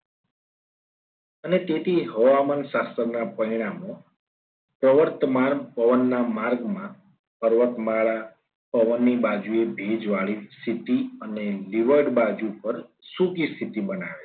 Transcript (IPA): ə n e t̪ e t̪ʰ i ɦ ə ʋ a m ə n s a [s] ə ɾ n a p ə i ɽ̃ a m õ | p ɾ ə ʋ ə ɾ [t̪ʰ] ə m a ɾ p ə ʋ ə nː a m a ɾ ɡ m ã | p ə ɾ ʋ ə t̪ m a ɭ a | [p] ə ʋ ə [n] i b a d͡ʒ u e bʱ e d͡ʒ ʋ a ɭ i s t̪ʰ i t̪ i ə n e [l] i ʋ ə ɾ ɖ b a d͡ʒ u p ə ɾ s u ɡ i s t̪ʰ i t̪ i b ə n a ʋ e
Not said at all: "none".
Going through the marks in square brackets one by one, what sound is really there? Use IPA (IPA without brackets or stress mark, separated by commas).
s, t̪, p, nː, l